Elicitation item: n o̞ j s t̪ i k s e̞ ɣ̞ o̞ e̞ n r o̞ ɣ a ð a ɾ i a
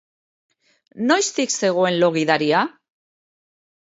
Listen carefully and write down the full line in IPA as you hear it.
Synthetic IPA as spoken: n o̞ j s t̪ i k s e̞ ɣ̞ o̞ e̞ n l o̞ ɣ i ð a ɾ i a